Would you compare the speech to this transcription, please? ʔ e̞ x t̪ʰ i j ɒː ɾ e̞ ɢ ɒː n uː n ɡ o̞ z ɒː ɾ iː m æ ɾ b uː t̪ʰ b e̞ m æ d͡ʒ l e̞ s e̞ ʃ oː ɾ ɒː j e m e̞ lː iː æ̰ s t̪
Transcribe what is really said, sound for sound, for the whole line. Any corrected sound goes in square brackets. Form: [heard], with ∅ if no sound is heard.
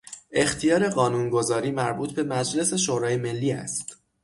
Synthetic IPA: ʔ e̞ x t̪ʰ i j ɒː ɾ e̞ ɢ ɒː n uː n ɡ o̞ z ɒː ɾ iː m æ ɾ b uː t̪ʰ b e̞ m æ d͡ʒ l e̞ s e̞ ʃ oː ɾ ɒː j e m e̞ lː iː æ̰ s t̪